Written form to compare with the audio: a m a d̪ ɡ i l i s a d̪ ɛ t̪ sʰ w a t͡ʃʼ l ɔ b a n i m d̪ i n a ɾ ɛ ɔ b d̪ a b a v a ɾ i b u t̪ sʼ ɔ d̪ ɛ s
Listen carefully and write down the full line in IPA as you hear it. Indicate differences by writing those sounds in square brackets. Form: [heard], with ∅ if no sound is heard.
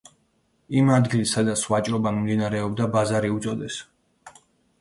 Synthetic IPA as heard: [i] m a d̪ ɡ i l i s a d̪ [a] t̪ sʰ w a t͡ʃʼ [ɾ] ɔ b a [m] i m d̪ i n a ɾ ɛ ɔ b d̪ a b a [z] a ɾ i [∅] u t̪ sʼ ɔ d̪ ɛ s